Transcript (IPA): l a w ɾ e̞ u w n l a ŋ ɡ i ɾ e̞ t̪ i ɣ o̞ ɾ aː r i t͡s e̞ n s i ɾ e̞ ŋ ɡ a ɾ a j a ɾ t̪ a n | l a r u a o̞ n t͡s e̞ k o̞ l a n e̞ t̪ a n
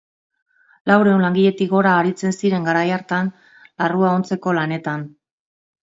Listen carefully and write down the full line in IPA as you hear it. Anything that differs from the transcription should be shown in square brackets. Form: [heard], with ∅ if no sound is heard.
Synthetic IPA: l a w ɾ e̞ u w n l a ŋ ɡ i [ʎ] e̞ t̪ i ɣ o̞ ɾ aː [ɾ] i t͡s e̞ n s i ɾ e̞ ŋ ɡ a ɾ a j a ɾ t̪ a n | l a r u a o̞ n t͡s e̞ k o̞ l a n e̞ t̪ a n